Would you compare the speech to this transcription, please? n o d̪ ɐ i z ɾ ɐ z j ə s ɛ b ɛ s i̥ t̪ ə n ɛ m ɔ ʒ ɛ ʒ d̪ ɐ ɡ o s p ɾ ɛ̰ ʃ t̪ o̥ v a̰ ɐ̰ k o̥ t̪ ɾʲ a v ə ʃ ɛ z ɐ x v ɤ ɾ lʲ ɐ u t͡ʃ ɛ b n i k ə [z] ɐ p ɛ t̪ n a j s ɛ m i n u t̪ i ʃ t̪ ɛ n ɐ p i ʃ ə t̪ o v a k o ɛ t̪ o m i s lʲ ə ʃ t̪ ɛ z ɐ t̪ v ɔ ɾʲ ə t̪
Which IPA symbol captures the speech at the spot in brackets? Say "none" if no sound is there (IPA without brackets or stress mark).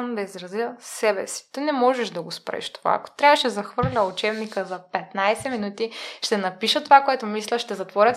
z